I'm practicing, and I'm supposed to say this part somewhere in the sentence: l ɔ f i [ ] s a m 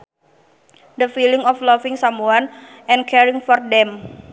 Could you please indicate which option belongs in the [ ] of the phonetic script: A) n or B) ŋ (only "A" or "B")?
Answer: B